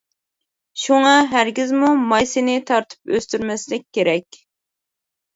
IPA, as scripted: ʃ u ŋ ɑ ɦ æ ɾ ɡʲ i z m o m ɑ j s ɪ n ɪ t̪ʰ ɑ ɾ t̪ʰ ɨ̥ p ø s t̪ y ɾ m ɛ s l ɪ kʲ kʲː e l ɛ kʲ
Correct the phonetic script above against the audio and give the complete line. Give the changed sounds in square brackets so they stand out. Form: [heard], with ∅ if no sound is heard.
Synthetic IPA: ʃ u ŋ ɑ ɦ æ ɾ ɡʲ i z m [u] m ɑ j s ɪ n ɪ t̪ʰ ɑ ɾ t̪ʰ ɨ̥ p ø s t̪ y ɾ m ɛ s l ɪ kʲ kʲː e [ɾ] ɛ kʲ